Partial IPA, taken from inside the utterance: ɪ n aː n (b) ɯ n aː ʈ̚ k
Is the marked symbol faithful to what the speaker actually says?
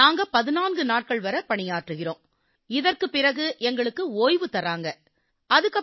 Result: no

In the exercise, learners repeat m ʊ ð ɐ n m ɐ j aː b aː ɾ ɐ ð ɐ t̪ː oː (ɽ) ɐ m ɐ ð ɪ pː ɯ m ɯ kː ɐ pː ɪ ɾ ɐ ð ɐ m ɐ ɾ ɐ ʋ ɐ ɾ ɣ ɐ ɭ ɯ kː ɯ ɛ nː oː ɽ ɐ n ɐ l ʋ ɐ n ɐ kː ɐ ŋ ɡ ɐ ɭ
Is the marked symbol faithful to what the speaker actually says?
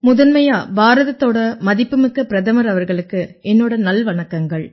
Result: yes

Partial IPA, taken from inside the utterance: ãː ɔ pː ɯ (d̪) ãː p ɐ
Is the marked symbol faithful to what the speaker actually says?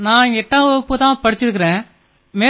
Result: no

